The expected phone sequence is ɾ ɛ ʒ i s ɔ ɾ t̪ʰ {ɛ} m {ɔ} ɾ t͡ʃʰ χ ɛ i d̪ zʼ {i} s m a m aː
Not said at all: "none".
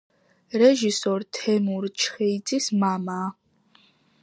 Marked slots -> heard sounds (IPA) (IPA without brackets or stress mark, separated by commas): ɛ, u, i